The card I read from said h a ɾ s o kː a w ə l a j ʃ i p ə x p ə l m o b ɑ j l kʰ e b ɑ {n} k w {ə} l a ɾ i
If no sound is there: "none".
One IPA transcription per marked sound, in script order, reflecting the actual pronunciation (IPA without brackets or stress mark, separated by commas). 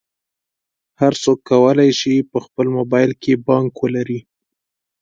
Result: ŋ, ə